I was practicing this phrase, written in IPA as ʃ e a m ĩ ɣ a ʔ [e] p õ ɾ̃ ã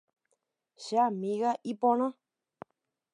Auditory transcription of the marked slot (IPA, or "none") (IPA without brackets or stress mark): i